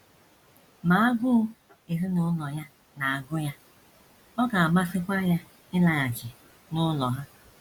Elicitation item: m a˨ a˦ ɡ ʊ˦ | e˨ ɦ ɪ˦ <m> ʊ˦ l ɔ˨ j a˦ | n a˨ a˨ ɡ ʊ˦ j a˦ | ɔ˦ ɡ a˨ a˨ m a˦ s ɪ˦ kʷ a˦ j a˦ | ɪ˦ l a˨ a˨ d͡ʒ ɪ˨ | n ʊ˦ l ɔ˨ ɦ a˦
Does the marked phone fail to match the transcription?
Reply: yes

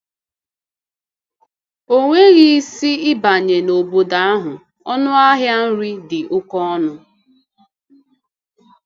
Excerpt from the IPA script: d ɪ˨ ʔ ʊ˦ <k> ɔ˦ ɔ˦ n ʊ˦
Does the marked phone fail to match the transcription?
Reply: no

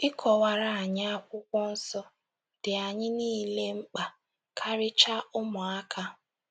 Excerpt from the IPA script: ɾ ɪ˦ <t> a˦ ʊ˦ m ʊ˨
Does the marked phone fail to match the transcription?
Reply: yes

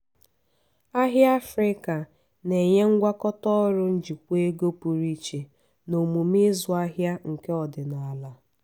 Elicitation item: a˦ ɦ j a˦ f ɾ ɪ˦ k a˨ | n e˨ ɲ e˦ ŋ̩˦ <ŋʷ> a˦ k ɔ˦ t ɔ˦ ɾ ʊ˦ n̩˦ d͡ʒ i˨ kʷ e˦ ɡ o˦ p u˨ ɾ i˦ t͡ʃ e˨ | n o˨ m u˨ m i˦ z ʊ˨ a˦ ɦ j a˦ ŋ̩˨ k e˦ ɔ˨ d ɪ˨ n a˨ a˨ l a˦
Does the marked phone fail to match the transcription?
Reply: yes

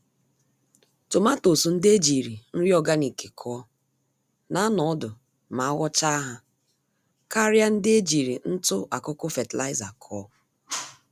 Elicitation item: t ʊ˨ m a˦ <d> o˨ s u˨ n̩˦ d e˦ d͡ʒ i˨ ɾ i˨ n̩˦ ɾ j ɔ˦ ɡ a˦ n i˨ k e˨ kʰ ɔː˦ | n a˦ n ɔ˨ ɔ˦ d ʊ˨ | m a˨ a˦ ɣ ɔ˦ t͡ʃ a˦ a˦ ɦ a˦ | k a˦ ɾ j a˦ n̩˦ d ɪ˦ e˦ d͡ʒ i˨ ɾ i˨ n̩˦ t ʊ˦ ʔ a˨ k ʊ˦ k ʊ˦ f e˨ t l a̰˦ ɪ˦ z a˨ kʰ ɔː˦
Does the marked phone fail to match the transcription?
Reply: yes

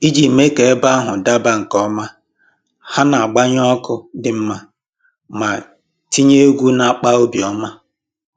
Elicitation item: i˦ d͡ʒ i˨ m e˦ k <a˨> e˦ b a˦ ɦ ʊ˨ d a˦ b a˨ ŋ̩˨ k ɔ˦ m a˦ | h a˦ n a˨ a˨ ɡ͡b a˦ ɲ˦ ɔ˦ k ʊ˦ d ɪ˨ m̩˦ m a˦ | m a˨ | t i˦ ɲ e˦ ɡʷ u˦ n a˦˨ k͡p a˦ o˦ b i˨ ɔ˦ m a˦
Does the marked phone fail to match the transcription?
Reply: yes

